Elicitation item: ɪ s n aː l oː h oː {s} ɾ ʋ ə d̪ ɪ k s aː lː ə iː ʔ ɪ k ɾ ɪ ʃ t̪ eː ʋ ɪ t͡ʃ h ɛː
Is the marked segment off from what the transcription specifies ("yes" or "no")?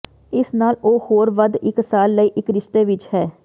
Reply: yes